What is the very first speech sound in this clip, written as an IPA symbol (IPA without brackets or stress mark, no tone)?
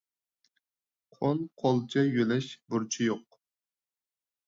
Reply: qʰ